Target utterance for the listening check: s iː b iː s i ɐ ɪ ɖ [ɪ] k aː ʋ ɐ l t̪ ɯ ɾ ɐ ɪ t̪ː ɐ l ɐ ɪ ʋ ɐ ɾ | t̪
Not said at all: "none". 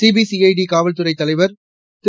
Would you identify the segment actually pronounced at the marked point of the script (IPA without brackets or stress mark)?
i